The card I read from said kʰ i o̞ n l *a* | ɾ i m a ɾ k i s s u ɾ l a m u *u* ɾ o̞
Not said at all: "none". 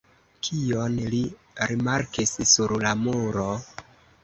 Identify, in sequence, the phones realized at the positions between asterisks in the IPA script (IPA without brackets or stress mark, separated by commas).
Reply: i, u